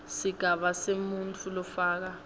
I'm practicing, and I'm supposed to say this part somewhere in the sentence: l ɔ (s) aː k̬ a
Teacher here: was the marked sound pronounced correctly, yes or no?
no